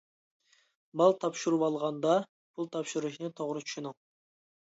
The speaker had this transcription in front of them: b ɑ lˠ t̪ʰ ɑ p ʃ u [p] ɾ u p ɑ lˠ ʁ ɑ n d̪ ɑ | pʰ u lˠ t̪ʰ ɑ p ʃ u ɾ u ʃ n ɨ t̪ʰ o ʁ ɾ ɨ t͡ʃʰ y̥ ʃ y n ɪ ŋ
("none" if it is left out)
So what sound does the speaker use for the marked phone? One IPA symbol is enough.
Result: none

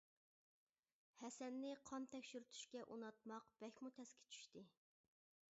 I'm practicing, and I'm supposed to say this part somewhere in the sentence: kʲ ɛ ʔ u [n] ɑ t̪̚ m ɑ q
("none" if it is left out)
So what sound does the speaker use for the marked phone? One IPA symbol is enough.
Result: n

